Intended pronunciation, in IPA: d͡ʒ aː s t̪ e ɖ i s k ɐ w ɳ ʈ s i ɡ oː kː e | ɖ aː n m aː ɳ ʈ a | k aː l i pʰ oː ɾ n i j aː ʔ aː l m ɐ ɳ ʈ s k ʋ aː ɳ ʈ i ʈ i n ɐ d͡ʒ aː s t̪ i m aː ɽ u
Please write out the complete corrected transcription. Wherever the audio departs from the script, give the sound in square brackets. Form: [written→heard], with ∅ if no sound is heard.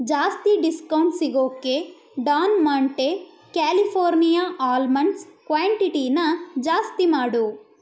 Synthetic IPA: d͡ʒ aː s t̪ [e→i] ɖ i s k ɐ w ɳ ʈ s i ɡ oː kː e | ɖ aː n m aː ɳ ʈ [a→e] | k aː l i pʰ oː ɾ n i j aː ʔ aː l m ɐ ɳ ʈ s k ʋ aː ɳ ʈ i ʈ i n ɐ d͡ʒ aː s t̪ i m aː ɽ u